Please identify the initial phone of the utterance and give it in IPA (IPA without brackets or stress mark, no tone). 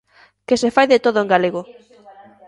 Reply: k